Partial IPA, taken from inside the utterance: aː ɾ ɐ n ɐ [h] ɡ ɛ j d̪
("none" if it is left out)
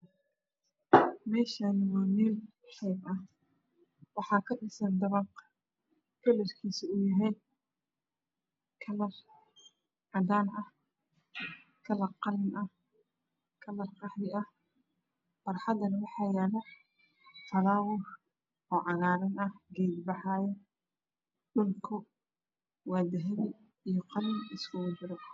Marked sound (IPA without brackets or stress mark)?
h